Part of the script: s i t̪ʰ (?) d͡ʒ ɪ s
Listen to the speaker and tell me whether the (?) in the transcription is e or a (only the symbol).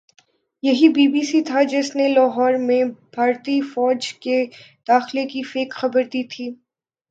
a